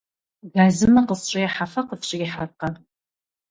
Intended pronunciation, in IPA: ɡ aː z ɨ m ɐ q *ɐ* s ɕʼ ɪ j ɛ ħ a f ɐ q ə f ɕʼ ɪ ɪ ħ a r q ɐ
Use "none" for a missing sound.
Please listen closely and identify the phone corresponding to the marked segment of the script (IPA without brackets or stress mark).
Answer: ə